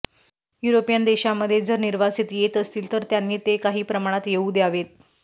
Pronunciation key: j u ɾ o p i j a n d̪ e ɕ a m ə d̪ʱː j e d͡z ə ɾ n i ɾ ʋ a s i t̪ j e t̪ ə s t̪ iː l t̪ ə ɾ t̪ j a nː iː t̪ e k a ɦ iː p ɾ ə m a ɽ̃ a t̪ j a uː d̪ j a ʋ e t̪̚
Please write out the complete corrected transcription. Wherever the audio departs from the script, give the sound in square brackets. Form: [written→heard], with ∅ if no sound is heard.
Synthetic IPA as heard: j u ɾ o p i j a n d̪ e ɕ a m ə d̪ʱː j e d͡z ə ɾ n i ɾ ʋ a s i t̪ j e t̪ ə s t̪ iː l t̪ ə ɾ t̪ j a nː iː t̪ e k a ɦ iː p ɾ ə m a ɽ̃ a t̪ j [a→e] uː d̪ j a ʋ e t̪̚